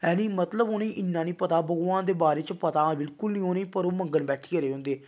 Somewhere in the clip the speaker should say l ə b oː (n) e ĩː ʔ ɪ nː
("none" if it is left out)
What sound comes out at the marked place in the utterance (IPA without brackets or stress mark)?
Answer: n